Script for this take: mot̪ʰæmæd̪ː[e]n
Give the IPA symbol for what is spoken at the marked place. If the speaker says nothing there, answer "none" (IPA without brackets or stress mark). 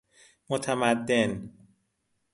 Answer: e